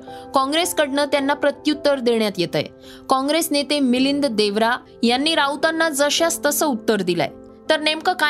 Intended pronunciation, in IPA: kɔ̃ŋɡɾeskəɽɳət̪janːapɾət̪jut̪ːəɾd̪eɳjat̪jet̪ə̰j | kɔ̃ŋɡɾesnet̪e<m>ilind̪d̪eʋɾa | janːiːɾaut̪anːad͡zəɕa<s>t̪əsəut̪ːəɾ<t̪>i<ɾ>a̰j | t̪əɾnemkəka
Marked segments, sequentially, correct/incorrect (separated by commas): correct, correct, incorrect, incorrect